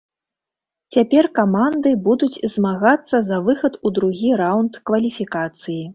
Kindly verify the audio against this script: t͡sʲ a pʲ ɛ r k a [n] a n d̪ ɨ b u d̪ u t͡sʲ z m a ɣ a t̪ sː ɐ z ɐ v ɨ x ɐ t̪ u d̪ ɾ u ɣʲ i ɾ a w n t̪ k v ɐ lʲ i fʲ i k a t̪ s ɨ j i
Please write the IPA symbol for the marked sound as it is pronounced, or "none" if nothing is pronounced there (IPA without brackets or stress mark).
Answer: m